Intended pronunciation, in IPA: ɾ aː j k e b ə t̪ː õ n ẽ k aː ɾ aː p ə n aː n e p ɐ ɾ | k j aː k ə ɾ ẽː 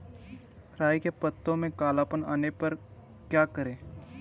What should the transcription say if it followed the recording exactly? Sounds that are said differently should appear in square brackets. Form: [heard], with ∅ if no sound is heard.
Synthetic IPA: ɾ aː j k e [p] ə t̪ː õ [m] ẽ k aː [l] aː p ə n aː n e p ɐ ɾ | k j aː k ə ɾ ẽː

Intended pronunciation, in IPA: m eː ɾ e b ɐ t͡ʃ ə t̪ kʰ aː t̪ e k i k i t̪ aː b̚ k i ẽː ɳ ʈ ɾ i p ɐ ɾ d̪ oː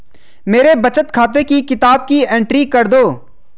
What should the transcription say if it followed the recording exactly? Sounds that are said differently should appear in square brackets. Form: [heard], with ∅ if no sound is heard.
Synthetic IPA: m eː ɾ e b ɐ t͡ʃ ə t̪ kʰ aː t̪ e k i k [ɪ] t̪ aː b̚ k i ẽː ɳ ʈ ɾ i [k] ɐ ɾ d̪ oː

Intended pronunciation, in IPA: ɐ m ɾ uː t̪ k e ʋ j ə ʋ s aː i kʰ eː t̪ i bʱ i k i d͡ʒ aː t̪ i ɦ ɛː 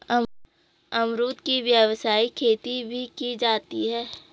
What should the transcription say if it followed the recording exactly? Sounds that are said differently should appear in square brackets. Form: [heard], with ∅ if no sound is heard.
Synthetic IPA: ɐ m ɾ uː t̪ k [i] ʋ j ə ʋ s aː i kʰ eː t̪ i bʱ i k i d͡ʒ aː t̪ i ɦ ɛː

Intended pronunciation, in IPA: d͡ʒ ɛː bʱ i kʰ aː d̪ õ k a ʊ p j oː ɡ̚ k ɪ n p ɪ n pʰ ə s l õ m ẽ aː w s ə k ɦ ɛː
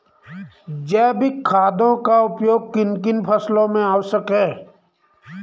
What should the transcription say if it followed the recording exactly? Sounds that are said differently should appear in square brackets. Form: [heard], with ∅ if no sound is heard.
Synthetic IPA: d͡ʒ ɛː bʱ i kʰ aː d̪ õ k a ʊ p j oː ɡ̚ k ɪ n [k] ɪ n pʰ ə s l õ m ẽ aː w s ə k ɦ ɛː

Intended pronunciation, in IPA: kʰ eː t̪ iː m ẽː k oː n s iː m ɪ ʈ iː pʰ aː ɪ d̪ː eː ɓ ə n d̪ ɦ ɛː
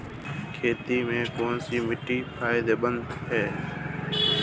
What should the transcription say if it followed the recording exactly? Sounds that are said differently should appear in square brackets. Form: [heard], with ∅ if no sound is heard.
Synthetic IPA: kʰ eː t̪ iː m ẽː k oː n s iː m ɪ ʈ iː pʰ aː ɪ [d̪] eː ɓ ə n d̪ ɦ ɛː

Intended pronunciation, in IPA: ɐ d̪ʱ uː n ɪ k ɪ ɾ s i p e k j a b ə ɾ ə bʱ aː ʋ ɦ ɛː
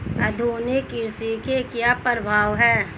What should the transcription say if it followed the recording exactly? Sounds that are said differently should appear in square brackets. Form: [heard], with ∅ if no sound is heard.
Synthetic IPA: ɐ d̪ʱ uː n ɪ k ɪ ɾ s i [k] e k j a [p] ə ɾ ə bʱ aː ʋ ɦ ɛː

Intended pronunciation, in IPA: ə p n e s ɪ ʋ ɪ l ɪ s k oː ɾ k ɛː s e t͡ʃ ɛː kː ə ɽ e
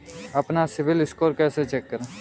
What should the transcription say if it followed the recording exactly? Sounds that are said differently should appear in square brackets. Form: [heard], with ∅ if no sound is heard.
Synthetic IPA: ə p n [a] s ɪ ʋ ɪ l ɪ s k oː ɾ k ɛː s e t͡ʃ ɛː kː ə [ɾ] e

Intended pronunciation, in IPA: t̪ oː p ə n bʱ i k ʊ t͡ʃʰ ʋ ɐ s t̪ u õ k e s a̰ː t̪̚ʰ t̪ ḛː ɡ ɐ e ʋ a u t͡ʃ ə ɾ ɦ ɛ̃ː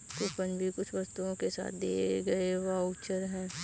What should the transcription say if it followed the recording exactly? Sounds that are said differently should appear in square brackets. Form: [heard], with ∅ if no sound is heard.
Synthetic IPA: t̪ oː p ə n bʱ i k ʊ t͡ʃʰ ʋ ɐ s t̪ u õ k e s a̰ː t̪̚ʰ [d̪] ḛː ɡ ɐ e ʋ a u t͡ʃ ə ɾ ɦ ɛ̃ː

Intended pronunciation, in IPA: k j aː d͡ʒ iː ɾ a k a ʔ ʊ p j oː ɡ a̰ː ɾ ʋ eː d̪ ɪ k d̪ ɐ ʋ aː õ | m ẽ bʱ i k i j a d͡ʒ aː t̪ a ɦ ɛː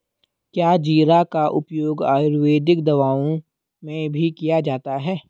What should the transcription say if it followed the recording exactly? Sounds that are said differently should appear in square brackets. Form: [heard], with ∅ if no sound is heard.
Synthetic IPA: k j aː d͡ʒ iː ɾ a k a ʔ ʊ p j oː ɡ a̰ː ɾ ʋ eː d̪ ɪ k d̪ ɐ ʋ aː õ | m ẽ bʱ i k i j a d͡ʒ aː t̪ a ɦ ɛː

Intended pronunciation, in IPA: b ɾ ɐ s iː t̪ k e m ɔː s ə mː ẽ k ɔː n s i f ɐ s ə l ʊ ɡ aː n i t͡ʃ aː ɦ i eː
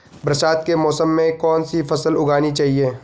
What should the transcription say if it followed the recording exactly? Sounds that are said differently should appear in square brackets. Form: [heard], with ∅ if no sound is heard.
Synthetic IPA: b ɾ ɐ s [aː] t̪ k e m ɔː s ə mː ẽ k ɔː n s i f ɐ s ə l ʊ ɡ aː n i t͡ʃ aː ɦ i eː

